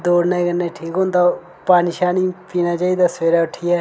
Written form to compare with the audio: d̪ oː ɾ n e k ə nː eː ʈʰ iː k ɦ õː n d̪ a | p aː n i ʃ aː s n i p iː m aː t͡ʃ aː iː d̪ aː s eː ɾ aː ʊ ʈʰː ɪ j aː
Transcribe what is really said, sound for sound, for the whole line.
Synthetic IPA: d̪ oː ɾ n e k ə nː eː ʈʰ iː k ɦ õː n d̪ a | p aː n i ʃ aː n i p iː n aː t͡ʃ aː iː d̪ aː s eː ɾ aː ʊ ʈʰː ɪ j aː

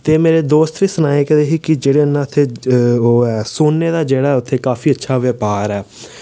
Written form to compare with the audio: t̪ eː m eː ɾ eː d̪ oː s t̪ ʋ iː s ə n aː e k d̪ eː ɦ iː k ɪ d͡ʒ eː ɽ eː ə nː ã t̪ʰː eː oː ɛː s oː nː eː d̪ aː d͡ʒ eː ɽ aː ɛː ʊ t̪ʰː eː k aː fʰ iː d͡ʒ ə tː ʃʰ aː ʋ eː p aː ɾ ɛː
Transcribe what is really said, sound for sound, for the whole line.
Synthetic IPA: t̪ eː m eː ɾ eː d̪ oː s t̪ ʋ iː s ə n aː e k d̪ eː ɦ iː k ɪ d͡ʒ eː ɽ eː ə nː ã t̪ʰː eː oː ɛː s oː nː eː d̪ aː d͡ʒ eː ɽ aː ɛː ʊ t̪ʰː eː k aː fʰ iː ə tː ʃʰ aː ʋ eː p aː ɾ ɛː

